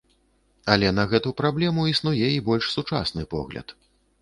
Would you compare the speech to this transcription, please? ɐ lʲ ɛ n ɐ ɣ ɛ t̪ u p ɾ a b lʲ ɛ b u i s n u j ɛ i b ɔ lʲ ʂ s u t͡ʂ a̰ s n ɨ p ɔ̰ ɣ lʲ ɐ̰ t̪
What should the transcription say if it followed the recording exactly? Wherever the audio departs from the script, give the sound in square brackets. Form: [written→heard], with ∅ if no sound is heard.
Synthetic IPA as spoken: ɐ lʲ ɛ n ɐ ɣ ɛ t̪ u p ɾ a b lʲ ɛ [b→m] u i s n u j ɛ i b ɔ lʲ ʂ s u t͡ʂ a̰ s n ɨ p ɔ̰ ɣ lʲ ɐ̰ t̪